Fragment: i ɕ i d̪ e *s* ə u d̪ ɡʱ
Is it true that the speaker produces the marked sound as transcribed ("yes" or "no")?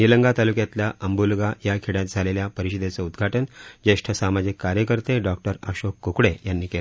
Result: no